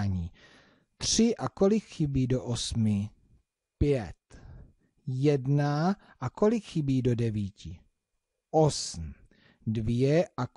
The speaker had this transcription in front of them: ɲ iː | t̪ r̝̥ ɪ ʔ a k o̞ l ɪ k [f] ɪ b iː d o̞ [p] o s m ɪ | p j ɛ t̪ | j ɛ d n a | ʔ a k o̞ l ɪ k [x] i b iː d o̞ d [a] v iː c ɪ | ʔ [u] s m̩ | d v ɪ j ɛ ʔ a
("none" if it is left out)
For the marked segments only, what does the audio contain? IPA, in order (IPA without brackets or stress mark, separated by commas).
x, ʔ, x, ɛ, o